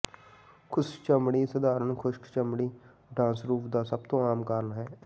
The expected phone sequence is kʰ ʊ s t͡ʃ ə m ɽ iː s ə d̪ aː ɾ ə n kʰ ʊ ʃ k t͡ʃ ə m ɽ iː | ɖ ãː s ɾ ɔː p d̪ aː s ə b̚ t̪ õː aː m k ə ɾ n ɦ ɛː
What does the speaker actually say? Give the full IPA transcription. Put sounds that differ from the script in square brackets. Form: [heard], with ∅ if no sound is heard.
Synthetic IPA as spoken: kʰ ʊ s t͡ʃ ə m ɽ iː s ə d̪ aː ɾ ə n kʰ ʊ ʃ k t͡ʃ ə m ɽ iː | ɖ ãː s ɾ [uː] p d̪ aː s ə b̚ t̪ õː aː m k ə ɾ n ɦ ɛː